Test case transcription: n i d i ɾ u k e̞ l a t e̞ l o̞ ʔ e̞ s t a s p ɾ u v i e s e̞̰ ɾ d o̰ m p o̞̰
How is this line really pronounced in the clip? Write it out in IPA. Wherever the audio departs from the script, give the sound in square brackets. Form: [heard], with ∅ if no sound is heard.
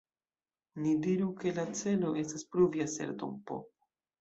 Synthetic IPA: n i d i ɾ u k e̞ l a [t͡s] e̞ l o̞ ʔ e̞ s t a s p ɾ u v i [a] s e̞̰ ɾ d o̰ m p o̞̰